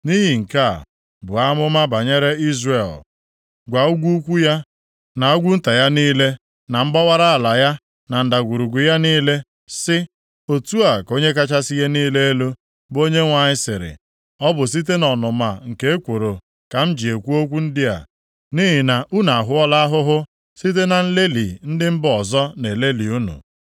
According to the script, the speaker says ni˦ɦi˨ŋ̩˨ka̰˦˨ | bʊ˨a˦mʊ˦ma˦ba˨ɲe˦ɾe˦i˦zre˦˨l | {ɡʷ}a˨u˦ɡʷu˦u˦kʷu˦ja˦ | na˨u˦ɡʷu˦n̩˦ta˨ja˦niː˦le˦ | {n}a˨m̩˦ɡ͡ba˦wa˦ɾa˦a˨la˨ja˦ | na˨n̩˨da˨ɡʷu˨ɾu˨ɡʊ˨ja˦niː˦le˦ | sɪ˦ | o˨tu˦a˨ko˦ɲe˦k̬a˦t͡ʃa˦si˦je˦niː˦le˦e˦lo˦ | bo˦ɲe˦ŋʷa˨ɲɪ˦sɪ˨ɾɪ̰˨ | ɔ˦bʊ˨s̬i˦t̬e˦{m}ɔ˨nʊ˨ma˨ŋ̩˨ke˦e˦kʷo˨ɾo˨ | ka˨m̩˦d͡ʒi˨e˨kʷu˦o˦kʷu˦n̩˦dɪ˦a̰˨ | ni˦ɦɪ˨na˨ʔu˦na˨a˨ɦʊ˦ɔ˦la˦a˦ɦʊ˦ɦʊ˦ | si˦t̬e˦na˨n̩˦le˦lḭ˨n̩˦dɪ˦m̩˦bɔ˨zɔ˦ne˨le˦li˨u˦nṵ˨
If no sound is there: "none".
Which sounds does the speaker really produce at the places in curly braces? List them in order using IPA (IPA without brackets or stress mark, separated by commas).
ɡʷ, n, n